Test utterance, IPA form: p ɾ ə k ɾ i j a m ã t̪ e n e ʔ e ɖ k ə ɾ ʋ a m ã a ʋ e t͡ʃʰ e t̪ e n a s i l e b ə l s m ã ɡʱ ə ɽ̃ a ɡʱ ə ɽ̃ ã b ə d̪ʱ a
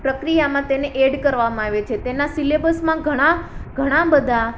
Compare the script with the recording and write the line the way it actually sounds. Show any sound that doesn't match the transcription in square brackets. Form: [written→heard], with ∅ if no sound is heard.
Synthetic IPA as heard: p ɾ ə k ɾ i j a m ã t̪ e n e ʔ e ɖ k ə ɾ ʋ a m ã a ʋ e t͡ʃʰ e t̪ e n a s i l e b ə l s m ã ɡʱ ə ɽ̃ a ɡʱ ə ɽ̃ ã b ə d̪ʱ a